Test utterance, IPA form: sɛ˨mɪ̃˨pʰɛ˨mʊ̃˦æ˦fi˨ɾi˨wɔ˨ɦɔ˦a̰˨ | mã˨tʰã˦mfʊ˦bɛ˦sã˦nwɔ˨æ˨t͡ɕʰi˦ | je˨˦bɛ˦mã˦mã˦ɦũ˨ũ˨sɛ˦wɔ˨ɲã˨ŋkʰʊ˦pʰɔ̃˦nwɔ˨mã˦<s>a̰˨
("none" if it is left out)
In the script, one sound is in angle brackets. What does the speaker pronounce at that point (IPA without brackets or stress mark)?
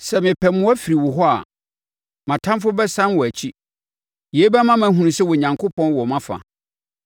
f